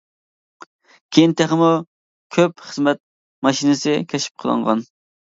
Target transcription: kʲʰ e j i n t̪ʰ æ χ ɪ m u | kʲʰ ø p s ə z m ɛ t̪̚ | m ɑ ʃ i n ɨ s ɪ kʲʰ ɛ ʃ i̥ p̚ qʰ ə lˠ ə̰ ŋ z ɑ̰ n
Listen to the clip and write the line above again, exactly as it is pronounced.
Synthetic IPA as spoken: kʲʰ e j i n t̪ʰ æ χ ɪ m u | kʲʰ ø p χ ə z m ɛ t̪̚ | m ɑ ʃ i n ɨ s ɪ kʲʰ ɛ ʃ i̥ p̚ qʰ ə lˠ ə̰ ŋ ʁ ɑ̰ n